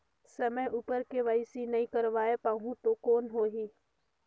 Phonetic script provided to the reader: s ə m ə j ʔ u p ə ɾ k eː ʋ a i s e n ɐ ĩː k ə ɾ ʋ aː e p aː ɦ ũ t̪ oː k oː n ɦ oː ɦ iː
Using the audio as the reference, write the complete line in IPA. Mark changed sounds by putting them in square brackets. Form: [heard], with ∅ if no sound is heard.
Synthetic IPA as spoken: s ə m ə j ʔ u p ə ɾ k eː ʋ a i s [i] n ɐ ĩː k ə ɾ ʋ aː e p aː ɦ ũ t̪ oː k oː n ɦ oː ɦ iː